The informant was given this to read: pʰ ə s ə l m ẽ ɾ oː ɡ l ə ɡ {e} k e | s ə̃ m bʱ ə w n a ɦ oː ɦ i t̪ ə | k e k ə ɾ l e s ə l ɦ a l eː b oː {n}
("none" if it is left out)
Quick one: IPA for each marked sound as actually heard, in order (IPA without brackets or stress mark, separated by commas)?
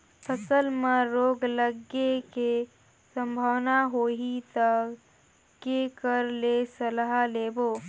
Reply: e, none